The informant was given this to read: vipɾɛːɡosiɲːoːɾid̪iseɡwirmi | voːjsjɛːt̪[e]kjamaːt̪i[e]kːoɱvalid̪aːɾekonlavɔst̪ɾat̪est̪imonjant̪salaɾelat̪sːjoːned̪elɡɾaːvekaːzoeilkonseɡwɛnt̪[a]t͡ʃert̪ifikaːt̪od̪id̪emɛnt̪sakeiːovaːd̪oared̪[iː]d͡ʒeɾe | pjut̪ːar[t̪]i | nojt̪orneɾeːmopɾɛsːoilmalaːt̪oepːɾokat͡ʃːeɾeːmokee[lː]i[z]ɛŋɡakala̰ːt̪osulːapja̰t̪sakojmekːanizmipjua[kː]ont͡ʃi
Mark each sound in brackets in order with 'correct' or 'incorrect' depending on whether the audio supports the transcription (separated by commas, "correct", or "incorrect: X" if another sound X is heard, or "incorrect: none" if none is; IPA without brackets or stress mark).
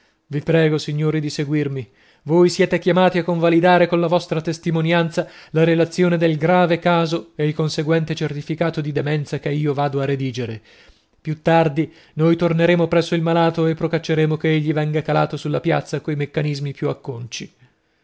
correct, incorrect: a, incorrect: e, correct, incorrect: d̪, incorrect: ʎː, incorrect: v, correct